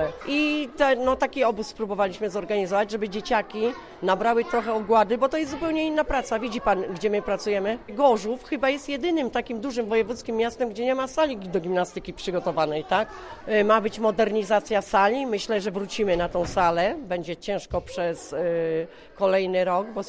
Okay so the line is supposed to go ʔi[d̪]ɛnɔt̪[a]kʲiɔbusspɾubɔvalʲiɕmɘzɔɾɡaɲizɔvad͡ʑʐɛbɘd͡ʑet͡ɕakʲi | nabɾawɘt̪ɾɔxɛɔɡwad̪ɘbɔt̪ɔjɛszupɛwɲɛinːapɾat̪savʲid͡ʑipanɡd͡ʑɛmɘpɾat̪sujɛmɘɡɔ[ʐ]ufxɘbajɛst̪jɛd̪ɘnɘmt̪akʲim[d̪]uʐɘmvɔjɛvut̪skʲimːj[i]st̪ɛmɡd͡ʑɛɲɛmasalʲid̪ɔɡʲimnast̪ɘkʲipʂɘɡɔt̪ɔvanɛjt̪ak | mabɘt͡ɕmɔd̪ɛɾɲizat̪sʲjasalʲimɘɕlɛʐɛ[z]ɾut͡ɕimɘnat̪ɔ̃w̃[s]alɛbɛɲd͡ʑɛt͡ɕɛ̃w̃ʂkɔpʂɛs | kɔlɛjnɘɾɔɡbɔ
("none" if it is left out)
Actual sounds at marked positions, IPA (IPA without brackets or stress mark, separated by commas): t̪, a, ʐ, d̪, a, v, s